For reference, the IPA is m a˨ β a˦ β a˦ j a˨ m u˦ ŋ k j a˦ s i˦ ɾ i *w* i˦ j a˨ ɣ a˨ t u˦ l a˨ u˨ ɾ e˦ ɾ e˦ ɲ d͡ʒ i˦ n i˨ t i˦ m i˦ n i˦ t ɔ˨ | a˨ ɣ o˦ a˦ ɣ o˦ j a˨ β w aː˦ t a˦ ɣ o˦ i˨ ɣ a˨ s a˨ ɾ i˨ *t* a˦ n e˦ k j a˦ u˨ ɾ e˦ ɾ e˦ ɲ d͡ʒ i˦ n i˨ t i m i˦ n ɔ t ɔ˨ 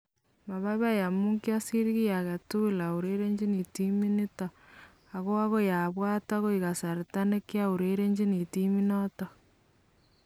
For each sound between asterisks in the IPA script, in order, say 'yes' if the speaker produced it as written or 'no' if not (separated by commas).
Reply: no, yes